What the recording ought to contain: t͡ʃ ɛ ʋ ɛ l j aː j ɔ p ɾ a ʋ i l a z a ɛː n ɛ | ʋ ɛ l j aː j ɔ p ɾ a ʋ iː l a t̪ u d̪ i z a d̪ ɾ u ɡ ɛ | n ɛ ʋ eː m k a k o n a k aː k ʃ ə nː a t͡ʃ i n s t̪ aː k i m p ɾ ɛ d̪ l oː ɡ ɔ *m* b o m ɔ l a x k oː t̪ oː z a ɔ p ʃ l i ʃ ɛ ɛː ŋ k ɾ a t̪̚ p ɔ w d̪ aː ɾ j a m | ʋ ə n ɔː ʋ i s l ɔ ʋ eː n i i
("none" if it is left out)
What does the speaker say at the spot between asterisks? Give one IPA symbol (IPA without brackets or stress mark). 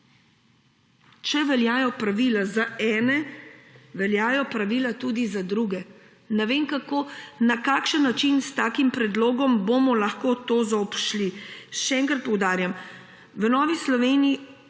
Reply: m